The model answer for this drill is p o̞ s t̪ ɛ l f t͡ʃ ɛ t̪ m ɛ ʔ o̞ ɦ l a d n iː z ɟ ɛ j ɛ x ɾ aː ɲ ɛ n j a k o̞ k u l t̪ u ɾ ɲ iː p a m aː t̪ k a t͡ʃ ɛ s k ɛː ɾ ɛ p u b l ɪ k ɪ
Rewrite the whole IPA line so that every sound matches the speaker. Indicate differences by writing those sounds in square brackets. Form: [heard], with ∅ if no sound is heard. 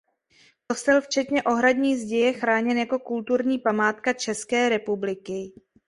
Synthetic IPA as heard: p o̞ s t̪ ɛ l f t͡ʃ ɛ t̪ [ɲ] ɛ ʔ o̞ ɦ [ɾ] a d [ɲ] iː z ɟ ɛ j ɛ x ɾ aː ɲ ɛ n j a k o̞ k u l t̪ u ɾ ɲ iː p a m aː t̪ k a t͡ʃ ɛ s k ɛː ɾ ɛ p u b l ɪ k ɪ